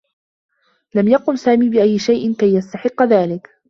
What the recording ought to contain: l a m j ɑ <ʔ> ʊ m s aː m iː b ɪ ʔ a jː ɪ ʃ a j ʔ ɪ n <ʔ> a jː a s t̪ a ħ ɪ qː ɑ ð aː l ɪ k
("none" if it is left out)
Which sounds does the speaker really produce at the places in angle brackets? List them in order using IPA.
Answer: q, k

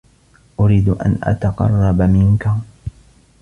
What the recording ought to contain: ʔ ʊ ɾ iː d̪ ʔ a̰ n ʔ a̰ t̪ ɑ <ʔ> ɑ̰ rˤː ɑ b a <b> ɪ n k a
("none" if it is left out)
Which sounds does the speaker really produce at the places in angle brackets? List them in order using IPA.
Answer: q, m

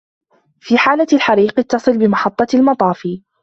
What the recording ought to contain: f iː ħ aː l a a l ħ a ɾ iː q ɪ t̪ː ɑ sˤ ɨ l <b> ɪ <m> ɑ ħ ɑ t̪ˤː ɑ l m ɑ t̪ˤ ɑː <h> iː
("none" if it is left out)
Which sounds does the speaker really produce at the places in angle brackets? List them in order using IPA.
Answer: b, m, f

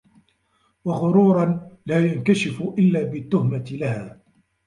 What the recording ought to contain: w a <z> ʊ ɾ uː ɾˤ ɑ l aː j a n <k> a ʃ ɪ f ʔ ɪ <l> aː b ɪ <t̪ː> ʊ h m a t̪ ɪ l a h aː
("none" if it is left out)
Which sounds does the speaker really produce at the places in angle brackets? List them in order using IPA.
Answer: ɣ, k, lː, t̪ː

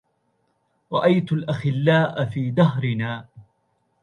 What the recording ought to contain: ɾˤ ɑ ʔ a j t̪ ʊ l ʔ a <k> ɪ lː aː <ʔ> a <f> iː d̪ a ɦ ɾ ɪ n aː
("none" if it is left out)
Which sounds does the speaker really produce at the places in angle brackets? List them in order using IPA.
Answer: x, ʔ, f

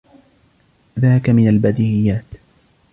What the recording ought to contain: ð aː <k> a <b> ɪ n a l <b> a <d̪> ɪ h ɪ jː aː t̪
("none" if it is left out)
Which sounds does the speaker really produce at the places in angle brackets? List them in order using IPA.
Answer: k, m, b, d̪

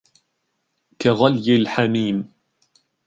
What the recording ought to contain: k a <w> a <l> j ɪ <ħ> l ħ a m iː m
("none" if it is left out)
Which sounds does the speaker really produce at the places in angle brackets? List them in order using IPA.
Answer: ɣ, l, none

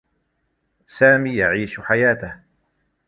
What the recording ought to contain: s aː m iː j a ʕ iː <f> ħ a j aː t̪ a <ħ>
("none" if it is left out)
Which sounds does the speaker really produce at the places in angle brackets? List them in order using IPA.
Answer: ʃ, h

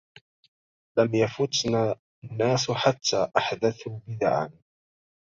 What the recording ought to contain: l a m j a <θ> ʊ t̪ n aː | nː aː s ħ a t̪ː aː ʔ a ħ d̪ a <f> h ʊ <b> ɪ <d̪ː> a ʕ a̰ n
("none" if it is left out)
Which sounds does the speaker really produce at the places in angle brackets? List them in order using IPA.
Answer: f, θ, b, d̪

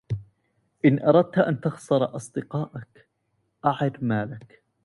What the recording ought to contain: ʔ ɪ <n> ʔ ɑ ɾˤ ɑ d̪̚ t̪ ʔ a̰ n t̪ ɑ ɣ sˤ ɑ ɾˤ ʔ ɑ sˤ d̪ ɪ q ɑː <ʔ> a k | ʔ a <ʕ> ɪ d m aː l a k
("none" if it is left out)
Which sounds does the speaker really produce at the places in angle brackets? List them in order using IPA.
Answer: n, ʔ, ʕ

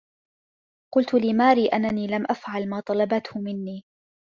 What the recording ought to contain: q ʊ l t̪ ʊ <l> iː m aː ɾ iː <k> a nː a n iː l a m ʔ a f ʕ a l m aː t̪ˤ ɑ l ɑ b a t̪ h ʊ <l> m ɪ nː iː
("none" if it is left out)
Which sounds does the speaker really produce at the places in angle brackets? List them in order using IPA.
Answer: l, ʔ, none

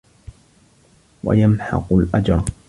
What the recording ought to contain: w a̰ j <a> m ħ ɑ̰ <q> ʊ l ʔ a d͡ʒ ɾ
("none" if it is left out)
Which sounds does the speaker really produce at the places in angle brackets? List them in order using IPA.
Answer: a, q

